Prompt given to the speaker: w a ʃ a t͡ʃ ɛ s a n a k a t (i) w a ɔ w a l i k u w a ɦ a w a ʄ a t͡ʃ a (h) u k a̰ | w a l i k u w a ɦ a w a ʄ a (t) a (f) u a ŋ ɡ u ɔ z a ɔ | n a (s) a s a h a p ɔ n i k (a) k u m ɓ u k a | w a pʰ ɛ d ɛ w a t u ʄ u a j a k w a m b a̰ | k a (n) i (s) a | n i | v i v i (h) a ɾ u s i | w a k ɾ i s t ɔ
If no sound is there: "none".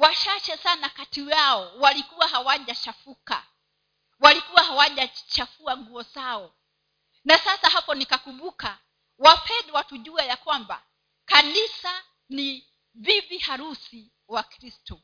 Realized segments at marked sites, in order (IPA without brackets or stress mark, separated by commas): i, f, t͡ʃ, f, s, a, n, s, h